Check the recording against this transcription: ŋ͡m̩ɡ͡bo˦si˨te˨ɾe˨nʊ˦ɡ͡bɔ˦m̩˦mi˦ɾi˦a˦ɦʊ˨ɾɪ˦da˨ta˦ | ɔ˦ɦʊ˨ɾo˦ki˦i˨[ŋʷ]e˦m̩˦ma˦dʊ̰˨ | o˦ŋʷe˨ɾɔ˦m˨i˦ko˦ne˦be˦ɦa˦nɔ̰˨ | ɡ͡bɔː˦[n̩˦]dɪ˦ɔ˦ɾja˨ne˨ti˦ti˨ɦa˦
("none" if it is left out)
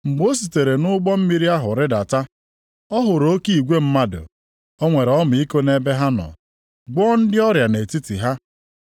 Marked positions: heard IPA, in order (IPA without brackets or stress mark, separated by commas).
ɡʷ, n̩˦